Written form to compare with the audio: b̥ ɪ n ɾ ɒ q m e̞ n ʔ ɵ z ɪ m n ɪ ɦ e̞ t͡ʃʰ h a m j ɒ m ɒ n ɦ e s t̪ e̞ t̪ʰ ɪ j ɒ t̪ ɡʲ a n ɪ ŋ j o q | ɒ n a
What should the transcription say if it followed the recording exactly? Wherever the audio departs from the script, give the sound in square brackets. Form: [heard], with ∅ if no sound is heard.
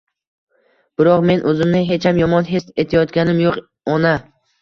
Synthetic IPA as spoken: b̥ ɪ [∅] ɾ ɒ q m e̞ n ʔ ɵ z ɪ m n ɪ ɦ e̞ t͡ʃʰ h a m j ɒ m ɒ n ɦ e s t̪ e̞ t̪ʰ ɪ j ɒ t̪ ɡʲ a n ɪ [m] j o q | ɒ n a